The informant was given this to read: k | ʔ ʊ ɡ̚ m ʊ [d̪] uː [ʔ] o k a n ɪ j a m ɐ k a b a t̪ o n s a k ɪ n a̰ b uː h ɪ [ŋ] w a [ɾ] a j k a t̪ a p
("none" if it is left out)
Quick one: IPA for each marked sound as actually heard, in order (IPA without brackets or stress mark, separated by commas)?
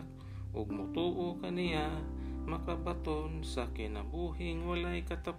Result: t̪, ʔ, ŋ, l